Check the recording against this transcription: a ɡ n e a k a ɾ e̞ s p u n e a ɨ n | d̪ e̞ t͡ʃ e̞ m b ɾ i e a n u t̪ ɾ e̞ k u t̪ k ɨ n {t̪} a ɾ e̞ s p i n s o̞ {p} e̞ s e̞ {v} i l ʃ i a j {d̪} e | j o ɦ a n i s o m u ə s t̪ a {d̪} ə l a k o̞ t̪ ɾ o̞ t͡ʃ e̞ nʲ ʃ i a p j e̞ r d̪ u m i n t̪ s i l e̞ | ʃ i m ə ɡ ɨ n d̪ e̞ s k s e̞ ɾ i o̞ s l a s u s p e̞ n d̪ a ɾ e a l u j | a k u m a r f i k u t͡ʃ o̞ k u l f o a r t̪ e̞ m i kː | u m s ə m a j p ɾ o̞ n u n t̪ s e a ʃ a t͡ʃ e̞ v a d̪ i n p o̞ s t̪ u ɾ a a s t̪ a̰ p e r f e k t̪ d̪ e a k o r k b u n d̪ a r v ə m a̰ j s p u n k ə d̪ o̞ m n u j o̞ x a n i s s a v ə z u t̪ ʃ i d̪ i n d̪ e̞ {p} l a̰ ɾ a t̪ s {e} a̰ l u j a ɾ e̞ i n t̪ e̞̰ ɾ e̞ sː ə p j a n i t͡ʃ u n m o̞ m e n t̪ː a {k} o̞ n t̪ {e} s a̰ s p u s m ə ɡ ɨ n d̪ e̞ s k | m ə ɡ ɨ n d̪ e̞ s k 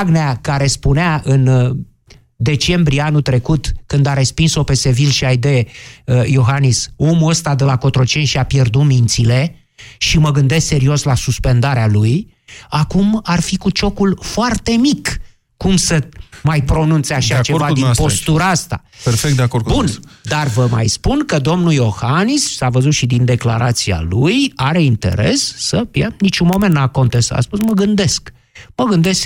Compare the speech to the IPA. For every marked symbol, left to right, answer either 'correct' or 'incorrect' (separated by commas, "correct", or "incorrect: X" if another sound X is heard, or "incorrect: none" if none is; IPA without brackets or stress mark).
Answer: incorrect: d̪, correct, correct, correct, correct, incorrect: k, incorrect: i, correct, correct